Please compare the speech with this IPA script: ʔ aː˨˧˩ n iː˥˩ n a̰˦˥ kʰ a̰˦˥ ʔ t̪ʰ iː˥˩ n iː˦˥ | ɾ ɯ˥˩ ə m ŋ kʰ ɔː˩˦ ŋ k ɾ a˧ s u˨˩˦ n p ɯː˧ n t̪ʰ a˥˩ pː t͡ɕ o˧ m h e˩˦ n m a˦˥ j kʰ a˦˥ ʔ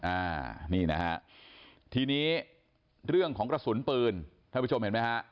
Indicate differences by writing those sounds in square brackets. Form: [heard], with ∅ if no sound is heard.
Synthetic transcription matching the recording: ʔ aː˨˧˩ n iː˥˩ n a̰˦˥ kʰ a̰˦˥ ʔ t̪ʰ [iː˧] n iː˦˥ | ɾ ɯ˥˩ ə [∅] ŋ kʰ ɔː˩˦ ŋ k ɾ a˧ s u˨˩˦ n p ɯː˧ n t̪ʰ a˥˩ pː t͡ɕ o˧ m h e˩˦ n m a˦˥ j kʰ a˦˥ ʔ